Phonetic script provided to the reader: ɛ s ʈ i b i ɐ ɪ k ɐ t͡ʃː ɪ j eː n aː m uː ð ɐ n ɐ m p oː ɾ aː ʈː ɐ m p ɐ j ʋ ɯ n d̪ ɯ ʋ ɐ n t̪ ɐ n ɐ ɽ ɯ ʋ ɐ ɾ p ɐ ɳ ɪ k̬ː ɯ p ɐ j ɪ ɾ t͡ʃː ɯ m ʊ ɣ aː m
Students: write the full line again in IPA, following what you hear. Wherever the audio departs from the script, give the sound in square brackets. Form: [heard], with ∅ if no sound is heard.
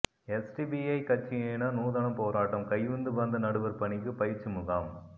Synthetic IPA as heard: ɛ s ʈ i b i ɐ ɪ k ɐ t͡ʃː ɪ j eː n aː [n] uː ð ɐ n ɐ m p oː ɾ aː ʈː ɐ m [k] ɐ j ʋ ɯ n d̪ ɯ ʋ ɐ n [d̪] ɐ n ɐ ɽ ɯ ʋ ɐ ɾ p ɐ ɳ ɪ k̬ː ɯ p ɐ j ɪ ɾ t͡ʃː ɯ m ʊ ɣ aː m